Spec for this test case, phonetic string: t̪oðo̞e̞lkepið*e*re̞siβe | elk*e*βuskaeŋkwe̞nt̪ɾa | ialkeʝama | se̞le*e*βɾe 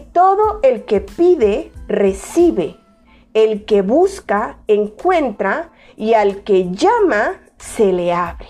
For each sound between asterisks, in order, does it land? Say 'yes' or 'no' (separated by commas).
yes, yes, no